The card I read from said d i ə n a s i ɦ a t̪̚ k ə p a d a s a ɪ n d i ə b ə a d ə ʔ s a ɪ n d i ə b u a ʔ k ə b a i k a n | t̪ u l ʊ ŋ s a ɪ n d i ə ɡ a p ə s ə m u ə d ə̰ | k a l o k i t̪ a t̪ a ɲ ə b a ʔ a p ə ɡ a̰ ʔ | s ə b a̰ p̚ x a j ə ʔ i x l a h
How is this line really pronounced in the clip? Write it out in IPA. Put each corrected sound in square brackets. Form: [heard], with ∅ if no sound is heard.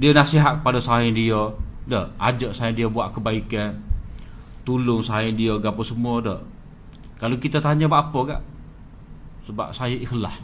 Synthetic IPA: d i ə n a s i ɦ a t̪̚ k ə p a d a s a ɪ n d i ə [d] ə a [d͡ʒ] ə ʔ s a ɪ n d i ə b u a ʔ k ə b a i k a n | t̪ u l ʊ ŋ s a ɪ n d i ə ɡ a p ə s ə m u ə d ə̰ | k a l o k i t̪ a t̪ a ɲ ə b a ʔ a p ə ɡ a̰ ʔ | s ə b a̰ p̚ [s] a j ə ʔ i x l a h